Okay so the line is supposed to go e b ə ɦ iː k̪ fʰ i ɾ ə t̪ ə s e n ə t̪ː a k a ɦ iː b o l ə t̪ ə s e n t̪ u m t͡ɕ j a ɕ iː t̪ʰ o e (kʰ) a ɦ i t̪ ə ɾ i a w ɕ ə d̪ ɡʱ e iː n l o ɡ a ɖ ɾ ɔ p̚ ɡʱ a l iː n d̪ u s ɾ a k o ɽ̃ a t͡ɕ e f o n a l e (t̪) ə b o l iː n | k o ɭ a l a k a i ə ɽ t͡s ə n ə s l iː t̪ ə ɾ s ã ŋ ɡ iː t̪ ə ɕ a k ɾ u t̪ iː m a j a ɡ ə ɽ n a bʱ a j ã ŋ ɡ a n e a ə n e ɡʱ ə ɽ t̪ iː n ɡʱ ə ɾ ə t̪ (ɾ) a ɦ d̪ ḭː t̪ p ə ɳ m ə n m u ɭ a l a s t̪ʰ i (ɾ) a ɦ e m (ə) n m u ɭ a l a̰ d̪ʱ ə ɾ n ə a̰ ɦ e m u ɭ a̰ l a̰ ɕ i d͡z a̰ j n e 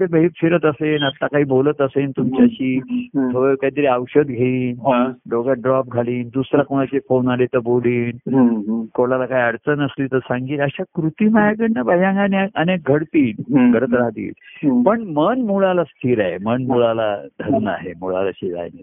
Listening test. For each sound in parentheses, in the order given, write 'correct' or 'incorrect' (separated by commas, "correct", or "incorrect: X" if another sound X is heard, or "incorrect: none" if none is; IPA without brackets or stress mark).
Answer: incorrect: k, correct, correct, correct, correct